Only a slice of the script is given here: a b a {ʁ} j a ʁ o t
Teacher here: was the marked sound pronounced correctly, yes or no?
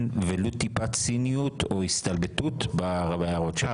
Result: no